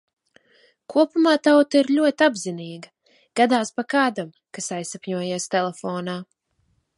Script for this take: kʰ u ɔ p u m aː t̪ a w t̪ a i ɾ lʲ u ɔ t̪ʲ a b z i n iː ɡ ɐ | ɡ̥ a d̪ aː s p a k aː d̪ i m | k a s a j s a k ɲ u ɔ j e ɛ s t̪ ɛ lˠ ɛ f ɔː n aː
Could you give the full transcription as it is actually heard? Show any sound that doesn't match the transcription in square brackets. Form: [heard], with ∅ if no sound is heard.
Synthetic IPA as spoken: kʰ u ɔ p u m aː t̪ a w t̪ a i ɾ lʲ u ɔ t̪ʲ a b z i n iː ɡ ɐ | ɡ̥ a d̪ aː s p a k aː d̪ [a] m | k a s a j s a [p] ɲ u ɔ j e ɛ s t̪ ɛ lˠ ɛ f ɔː n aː